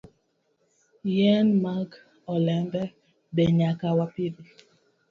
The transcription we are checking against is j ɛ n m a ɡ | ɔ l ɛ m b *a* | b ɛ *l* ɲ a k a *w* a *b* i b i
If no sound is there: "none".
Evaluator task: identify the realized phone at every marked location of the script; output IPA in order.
ɛ, none, w, p

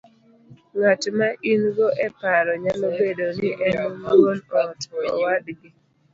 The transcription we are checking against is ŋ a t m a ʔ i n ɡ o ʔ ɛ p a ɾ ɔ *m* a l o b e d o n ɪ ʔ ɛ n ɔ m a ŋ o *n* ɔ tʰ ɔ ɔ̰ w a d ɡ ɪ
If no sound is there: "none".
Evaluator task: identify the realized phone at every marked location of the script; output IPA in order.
ɲ, n

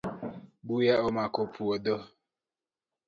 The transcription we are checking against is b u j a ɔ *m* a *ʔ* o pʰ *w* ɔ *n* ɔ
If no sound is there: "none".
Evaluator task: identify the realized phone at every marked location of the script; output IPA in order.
m, k, u, d

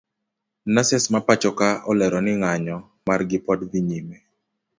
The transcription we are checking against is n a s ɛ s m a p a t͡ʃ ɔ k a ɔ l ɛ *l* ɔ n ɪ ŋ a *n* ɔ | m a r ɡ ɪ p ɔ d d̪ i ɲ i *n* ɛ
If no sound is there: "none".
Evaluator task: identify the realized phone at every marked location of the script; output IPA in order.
ɾ, ɲ, m

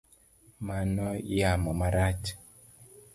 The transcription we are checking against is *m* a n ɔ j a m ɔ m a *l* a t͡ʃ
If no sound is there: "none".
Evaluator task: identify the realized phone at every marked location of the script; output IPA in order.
m, ɾ

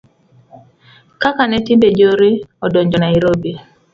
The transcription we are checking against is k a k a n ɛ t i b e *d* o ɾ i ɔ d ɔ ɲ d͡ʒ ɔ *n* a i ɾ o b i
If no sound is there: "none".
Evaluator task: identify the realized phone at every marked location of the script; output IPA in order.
d͡ʒ, n

